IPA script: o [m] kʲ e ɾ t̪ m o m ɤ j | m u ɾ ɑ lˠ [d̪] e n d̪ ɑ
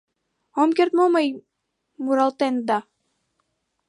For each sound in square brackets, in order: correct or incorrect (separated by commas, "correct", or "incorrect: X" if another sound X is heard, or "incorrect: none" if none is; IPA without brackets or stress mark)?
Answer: correct, incorrect: t̪